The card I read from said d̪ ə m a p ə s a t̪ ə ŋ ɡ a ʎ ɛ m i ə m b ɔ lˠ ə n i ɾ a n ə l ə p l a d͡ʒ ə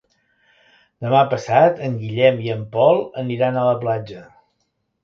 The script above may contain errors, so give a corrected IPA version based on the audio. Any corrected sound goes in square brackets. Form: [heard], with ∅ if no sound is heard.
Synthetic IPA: d̪ ə m a p ə s a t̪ ə ŋ ɡ [i] ʎ ɛ m i ə m [p] ɔ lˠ ə n i ɾ a n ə l ə p l a d͡ʒ ə